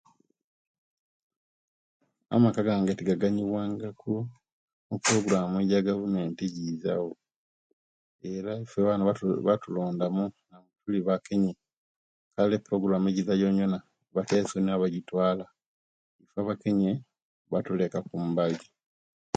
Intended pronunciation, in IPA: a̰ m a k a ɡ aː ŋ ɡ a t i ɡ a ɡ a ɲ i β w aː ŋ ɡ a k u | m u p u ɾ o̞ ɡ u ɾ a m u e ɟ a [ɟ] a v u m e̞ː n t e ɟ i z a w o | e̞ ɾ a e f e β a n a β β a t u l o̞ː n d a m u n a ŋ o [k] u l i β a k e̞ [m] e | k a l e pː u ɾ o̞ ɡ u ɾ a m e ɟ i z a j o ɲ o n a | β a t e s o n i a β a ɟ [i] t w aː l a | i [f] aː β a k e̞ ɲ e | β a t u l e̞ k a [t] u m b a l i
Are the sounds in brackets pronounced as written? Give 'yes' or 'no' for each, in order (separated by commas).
no, no, no, yes, yes, no